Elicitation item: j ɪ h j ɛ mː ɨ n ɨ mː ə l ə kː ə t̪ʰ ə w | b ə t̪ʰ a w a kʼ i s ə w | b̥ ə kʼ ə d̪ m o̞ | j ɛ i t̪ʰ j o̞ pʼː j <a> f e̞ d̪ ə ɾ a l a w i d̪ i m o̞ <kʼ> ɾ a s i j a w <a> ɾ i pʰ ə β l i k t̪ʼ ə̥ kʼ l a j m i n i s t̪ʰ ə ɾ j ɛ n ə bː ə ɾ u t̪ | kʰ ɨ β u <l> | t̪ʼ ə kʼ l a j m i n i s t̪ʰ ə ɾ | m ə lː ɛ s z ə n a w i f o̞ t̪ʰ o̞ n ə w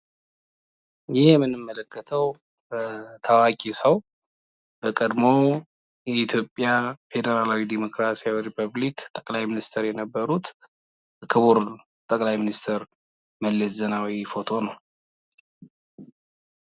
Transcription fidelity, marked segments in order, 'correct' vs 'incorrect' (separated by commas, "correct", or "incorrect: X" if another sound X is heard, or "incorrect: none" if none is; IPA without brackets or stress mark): correct, incorrect: k, incorrect: i, incorrect: ɾ